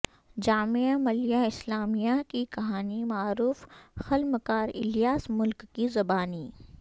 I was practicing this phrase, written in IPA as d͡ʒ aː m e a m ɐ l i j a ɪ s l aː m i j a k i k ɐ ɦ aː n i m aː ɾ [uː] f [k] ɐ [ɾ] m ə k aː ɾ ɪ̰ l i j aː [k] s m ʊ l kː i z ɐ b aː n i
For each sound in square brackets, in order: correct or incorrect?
correct, incorrect, incorrect, incorrect

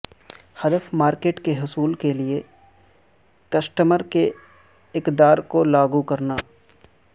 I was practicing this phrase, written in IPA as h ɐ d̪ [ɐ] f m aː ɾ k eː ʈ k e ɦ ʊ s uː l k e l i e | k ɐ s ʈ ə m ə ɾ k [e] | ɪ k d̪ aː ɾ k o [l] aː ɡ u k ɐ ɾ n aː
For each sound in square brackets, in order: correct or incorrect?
incorrect, correct, correct

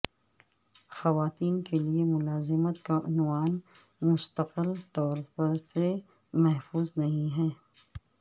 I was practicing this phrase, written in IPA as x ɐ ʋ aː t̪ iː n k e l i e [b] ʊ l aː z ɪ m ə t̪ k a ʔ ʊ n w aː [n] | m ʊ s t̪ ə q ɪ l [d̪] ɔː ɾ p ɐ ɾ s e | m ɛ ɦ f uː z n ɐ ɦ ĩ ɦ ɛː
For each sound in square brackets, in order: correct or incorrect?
incorrect, correct, incorrect

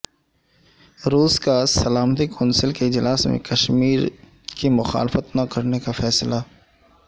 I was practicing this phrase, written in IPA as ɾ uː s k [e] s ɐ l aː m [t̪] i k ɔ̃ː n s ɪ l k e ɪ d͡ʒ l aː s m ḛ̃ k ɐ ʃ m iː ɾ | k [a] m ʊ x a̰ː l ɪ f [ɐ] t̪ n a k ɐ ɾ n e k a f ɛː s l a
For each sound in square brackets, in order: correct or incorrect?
incorrect, correct, incorrect, incorrect

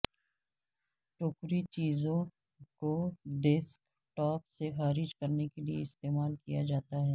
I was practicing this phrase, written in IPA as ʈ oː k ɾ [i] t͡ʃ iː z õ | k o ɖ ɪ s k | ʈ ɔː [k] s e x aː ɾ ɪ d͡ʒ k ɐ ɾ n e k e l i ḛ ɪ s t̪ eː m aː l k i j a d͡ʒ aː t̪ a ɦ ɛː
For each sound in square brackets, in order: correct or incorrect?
correct, incorrect

